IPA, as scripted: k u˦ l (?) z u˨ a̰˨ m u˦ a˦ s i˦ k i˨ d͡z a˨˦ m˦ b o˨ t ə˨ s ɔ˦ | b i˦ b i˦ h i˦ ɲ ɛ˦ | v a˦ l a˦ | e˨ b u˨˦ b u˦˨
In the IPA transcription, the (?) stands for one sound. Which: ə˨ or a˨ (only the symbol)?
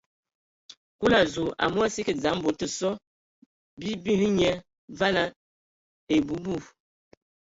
a˨